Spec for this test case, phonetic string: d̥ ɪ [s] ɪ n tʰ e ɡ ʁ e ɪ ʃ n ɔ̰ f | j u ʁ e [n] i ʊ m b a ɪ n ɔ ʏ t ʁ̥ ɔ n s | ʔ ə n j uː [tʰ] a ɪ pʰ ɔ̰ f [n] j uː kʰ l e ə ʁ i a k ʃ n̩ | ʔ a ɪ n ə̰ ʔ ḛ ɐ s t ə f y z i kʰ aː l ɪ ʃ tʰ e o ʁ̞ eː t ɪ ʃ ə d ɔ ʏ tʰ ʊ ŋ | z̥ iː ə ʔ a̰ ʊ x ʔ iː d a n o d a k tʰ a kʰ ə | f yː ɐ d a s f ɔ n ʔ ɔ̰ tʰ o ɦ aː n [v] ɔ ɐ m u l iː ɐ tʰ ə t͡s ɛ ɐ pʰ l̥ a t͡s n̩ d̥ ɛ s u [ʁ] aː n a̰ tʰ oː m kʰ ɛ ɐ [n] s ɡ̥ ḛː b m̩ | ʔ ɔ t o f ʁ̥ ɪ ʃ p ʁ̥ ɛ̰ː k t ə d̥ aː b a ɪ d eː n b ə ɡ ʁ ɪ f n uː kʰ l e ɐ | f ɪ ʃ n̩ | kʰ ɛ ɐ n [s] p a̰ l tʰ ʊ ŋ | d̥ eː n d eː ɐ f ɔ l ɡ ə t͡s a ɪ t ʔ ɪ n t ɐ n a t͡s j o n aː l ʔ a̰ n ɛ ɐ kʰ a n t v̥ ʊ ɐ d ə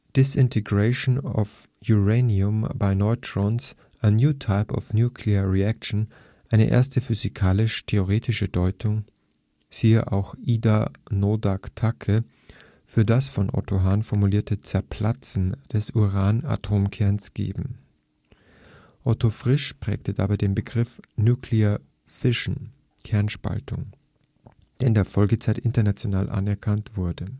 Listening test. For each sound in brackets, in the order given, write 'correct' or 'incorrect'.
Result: correct, correct, correct, correct, incorrect, correct, correct, incorrect

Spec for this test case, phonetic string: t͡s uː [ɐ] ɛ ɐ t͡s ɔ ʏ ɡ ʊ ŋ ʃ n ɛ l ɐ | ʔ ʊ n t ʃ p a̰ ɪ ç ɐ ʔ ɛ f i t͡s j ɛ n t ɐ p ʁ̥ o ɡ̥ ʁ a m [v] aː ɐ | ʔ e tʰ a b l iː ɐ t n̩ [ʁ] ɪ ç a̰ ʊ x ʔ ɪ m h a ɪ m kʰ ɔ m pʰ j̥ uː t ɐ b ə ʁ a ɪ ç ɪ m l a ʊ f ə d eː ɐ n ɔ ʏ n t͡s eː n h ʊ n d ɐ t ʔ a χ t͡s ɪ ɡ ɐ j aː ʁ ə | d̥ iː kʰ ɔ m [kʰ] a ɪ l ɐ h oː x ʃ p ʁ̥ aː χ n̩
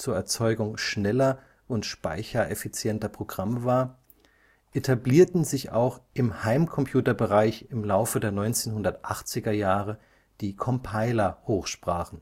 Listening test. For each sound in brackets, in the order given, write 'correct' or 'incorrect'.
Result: correct, correct, incorrect, incorrect

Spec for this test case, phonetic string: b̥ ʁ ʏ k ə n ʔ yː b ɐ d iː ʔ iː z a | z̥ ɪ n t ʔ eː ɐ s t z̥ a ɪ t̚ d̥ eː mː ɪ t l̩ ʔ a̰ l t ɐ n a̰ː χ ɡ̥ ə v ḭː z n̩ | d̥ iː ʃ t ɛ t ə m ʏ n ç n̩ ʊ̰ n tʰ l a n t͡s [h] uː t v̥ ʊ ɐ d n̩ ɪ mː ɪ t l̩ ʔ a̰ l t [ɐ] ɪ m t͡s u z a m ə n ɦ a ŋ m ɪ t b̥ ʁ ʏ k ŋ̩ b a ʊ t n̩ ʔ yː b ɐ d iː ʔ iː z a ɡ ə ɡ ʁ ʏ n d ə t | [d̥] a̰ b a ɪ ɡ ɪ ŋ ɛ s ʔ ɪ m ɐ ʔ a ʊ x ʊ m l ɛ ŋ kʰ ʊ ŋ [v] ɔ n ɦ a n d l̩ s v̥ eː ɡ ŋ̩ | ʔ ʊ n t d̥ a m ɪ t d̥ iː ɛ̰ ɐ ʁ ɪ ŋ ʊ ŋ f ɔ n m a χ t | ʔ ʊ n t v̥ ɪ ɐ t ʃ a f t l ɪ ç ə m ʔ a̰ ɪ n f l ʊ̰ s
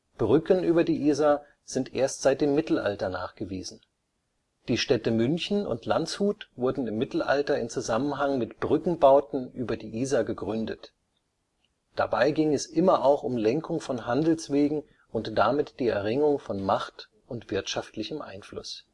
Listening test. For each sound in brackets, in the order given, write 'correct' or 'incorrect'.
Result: correct, correct, correct, incorrect

